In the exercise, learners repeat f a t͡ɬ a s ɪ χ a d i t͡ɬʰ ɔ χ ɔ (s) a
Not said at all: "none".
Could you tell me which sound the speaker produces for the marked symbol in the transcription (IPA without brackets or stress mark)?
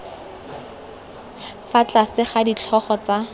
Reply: t͡s